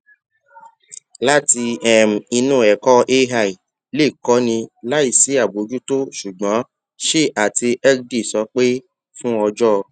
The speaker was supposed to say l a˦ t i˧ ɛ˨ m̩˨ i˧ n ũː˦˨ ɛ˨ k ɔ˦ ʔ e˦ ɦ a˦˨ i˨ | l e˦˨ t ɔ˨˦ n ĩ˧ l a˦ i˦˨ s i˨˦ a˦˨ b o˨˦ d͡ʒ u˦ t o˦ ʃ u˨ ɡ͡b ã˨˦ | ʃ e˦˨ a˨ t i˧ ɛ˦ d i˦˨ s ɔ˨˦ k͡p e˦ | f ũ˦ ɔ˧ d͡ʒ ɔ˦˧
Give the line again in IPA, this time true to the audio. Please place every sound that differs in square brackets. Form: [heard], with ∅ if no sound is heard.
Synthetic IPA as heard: l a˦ t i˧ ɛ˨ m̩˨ i˧ n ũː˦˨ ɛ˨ k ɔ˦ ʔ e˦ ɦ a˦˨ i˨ | l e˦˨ [k] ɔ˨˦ n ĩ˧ l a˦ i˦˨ s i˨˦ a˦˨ b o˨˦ d͡ʒ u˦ t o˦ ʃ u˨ ɡ͡b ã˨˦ | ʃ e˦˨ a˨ t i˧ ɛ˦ d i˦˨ s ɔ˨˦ k͡p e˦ | f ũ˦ ɔ˧ d͡ʒ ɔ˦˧